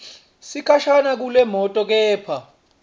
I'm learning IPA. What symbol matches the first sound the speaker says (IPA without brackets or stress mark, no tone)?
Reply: s